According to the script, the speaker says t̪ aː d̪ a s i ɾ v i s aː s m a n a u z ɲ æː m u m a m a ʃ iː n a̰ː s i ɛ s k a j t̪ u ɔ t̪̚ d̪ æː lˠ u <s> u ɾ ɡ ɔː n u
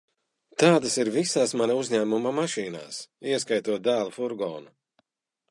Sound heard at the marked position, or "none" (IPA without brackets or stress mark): f